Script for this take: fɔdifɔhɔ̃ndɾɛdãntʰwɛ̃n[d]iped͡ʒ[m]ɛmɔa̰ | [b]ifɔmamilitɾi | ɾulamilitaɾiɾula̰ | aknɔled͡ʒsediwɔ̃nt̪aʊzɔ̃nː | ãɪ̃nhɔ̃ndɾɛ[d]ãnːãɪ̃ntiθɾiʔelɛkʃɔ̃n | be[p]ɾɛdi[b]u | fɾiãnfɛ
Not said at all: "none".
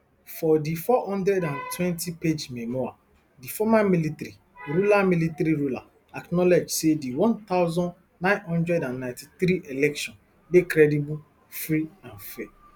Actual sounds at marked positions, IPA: t, m, d, d, k, b

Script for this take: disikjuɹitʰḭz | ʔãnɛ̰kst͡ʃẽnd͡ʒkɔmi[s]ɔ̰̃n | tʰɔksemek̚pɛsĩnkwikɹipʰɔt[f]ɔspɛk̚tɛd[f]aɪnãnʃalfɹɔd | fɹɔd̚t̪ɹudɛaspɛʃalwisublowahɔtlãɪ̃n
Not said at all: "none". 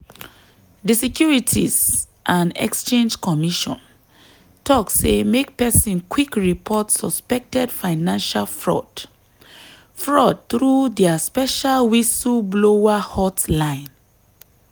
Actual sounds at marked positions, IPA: ʃ, s, f

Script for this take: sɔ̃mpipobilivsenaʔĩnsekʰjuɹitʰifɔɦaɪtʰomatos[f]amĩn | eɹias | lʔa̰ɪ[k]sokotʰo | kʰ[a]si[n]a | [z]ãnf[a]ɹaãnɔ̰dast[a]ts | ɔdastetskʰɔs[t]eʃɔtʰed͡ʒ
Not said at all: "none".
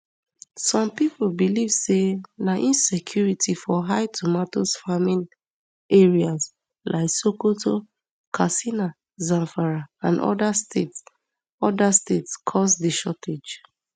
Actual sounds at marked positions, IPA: f, k, a, n, z, a, e, d

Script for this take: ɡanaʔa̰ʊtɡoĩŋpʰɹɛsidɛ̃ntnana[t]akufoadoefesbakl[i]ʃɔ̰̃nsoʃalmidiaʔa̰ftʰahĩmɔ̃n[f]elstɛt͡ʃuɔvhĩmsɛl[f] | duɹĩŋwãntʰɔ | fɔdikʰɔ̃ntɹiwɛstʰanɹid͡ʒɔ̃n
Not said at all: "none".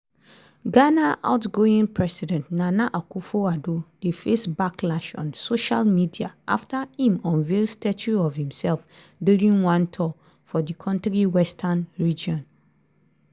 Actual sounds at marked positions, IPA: ʔ, a, v, f

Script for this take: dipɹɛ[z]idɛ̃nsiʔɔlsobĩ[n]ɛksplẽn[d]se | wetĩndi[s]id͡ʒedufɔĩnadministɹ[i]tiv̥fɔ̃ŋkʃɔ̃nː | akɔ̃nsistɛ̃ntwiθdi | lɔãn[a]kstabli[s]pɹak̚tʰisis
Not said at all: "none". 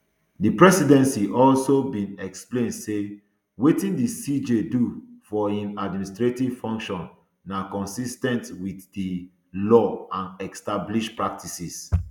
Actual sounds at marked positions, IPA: s, n, d, s, e, ɛ, ʃ

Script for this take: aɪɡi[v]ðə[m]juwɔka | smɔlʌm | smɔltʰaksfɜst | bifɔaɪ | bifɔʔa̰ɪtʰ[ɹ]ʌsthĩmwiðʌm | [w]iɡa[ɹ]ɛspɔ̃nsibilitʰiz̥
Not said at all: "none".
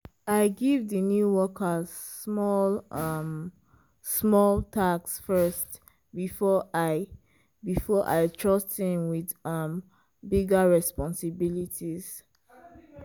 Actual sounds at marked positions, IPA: v, n, ɹ, b, ɹ

